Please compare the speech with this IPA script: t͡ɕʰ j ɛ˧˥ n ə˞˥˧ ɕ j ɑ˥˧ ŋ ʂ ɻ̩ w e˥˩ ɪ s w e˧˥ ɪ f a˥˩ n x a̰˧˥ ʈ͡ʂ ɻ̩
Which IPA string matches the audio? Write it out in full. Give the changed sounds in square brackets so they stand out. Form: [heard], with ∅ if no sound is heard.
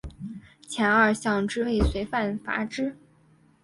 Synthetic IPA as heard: t͡ɕʰ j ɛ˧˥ n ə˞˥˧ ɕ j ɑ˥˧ ŋ [ʈ͡ʂ] ɻ̩ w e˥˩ ɪ s w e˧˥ ɪ f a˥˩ n [f] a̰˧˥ ʈ͡ʂ ɻ̩